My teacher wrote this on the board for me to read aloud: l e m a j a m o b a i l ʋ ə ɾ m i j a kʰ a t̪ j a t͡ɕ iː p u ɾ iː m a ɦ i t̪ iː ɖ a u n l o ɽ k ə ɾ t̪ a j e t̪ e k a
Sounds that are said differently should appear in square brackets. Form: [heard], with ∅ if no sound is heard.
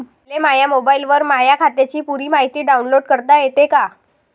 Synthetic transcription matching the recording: l e m a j a m o b a i l ʋ ə ɾ m [a] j a kʰ a t̪ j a t͡ɕ iː p u ɾ iː m a ɦ i t̪ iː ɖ a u n l o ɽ k ə ɾ t̪ a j e t̪ e k a